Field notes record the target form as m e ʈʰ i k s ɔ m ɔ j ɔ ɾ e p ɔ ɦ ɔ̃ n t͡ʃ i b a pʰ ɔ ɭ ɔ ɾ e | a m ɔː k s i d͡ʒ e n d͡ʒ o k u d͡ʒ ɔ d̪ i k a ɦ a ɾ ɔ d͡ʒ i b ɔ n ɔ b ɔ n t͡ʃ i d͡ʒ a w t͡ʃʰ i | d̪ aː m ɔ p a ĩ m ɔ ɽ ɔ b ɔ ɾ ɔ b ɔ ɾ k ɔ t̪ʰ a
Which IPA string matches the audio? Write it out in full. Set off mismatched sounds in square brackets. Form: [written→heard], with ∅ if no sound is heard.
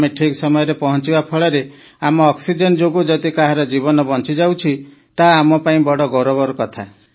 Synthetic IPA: m e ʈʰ i k s ɔ m ɔ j ɔ ɾ e p ɔ ɦ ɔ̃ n t͡ʃ i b a pʰ ɔ ɭ ɔ ɾ e | a m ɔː k s i d͡ʒ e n d͡ʒ o [k→ɡ] u d͡ʒ ɔ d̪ i k a ɦ a ɾ ɔ d͡ʒ i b ɔ n ɔ b ɔ n t͡ʃ i d͡ʒ a w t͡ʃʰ i | [d̪→t̪] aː m ɔ p a ĩ [m→b] ɔ ɽ ɔ [b→ɡ] ɔ ɾ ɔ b ɔ ɾ k ɔ t̪ʰ a